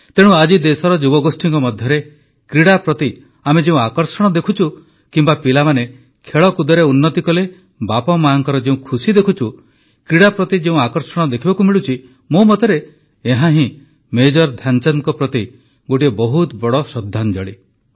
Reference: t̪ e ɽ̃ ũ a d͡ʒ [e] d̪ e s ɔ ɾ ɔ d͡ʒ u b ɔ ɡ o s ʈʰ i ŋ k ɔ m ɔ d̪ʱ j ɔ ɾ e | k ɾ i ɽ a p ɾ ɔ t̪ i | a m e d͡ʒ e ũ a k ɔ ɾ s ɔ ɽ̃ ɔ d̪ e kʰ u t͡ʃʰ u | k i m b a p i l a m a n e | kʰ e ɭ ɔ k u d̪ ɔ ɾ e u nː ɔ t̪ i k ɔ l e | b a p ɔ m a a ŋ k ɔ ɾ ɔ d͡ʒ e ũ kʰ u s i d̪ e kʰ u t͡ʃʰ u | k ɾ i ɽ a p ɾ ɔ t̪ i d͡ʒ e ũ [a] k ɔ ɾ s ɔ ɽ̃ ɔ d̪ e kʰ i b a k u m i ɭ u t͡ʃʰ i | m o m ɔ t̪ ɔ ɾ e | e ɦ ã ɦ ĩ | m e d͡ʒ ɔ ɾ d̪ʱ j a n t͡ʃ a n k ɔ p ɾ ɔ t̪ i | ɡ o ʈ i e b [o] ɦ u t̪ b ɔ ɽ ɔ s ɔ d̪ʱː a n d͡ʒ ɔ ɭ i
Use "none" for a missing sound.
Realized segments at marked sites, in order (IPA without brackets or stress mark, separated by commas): i, a, ɔ